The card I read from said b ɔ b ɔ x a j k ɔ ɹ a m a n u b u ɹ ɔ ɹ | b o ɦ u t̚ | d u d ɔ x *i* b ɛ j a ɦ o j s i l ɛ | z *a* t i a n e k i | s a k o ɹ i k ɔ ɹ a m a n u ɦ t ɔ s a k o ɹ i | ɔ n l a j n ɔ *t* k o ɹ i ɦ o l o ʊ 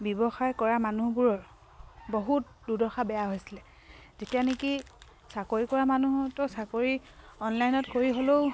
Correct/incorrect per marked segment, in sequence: incorrect, incorrect, correct

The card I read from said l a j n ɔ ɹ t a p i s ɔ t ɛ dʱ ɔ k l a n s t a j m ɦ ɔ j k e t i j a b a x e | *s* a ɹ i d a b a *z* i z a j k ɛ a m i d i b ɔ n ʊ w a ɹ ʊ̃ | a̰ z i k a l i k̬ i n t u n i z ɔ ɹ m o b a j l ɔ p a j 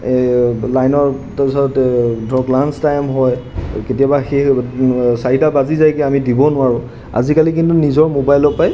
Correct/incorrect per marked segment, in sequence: correct, correct

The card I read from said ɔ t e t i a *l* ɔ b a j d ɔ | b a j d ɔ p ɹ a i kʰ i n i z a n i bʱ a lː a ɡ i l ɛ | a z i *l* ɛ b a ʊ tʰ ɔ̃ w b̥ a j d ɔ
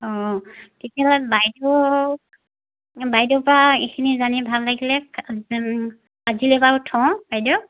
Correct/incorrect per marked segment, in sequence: correct, correct

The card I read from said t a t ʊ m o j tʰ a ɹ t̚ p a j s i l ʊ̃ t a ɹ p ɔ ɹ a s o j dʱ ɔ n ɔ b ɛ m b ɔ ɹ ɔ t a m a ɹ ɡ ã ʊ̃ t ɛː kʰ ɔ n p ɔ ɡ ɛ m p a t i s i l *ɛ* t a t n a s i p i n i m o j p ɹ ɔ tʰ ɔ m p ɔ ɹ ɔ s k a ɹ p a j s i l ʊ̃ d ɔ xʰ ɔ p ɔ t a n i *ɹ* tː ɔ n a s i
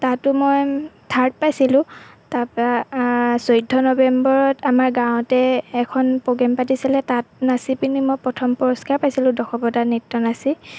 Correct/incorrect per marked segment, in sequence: correct, incorrect

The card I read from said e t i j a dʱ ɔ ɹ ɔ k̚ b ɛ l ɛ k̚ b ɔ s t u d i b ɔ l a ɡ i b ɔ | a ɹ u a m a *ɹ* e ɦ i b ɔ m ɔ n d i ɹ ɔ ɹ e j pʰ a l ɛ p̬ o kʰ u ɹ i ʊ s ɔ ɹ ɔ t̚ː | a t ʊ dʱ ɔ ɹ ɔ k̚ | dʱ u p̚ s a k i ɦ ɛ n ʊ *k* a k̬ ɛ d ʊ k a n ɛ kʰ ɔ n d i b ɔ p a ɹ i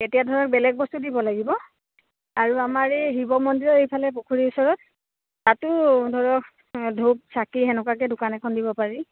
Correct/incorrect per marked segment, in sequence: correct, correct

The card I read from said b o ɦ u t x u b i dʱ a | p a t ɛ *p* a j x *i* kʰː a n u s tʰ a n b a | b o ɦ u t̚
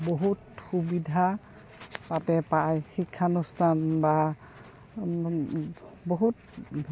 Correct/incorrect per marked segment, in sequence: correct, correct

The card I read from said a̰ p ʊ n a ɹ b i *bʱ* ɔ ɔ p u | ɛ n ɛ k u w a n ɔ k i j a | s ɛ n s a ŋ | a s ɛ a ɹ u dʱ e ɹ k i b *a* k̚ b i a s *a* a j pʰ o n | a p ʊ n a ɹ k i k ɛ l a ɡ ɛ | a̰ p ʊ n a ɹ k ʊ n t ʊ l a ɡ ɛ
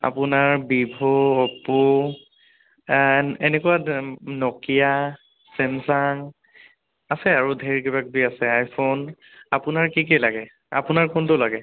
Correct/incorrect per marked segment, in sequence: correct, correct, incorrect

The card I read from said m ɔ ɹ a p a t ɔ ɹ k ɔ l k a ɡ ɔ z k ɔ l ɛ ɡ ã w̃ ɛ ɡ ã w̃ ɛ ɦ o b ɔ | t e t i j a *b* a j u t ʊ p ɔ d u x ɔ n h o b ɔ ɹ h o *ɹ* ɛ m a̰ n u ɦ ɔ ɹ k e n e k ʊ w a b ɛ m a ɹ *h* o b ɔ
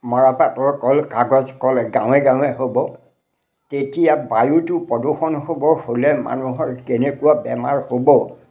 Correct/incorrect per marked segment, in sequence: correct, incorrect, correct

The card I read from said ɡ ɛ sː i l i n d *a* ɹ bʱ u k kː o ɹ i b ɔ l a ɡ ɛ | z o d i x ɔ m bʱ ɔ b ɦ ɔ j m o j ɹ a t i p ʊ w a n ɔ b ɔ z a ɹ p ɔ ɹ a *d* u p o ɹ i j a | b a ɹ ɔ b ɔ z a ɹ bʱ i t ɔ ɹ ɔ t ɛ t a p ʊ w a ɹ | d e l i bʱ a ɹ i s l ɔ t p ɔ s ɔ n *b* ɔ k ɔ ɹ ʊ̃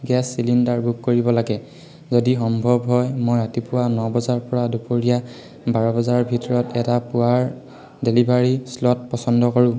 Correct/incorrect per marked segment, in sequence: correct, correct, incorrect

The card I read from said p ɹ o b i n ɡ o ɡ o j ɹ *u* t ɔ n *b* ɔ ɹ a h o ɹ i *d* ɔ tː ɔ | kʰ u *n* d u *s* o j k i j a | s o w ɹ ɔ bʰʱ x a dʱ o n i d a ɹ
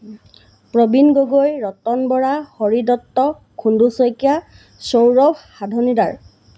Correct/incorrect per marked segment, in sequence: incorrect, correct, correct, correct, correct

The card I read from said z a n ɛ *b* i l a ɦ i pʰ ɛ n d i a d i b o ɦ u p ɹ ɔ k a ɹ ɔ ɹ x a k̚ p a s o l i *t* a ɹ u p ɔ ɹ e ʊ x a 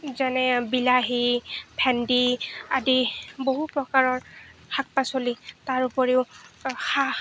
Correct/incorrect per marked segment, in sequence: correct, correct

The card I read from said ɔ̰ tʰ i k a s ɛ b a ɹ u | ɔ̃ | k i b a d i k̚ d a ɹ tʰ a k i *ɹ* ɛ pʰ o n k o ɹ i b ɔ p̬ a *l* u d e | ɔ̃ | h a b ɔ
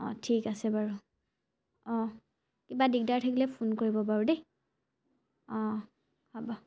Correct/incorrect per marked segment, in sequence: incorrect, incorrect

